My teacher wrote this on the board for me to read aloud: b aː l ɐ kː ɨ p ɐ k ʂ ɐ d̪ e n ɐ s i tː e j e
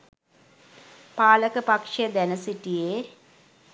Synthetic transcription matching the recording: p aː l ɐ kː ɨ p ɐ k ʂ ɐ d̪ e n ɐ s i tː i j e